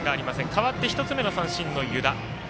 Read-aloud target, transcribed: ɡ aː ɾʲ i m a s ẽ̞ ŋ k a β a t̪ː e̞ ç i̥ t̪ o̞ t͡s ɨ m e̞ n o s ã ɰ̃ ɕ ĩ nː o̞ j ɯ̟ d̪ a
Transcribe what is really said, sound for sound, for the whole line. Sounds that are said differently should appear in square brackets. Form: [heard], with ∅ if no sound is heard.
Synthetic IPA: ɡ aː ɾʲ i m a s ẽ̞ ŋ k a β a t̪ː e̞ ç i̥ t̪ o̞ t͡s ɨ m e̞ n o s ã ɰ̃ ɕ ĩ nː o̞ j ɯ̟ d̪ a